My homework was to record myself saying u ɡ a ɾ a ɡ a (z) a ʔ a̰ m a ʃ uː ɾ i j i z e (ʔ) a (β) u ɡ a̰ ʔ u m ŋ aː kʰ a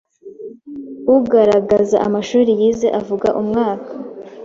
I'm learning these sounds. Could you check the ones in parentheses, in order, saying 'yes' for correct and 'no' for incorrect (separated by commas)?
yes, yes, no